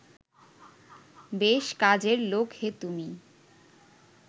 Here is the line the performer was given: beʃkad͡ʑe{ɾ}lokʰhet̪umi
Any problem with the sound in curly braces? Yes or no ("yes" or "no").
no